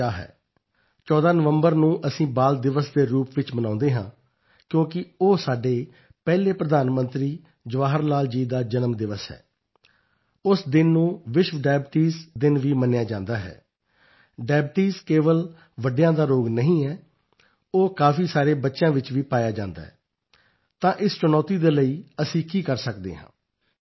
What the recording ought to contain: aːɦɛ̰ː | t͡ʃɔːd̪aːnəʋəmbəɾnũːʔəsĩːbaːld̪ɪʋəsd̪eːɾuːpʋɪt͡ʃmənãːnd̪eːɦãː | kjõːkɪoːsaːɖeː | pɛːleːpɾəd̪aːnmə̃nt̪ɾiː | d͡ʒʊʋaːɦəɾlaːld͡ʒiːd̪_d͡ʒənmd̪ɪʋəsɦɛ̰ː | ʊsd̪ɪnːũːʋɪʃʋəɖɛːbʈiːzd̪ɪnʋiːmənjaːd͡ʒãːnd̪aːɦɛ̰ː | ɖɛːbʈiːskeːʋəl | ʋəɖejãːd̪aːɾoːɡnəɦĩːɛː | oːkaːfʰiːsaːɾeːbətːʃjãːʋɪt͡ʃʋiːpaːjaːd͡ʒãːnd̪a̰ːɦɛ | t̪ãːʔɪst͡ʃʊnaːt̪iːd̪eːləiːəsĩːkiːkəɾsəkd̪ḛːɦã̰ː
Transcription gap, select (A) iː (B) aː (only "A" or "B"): B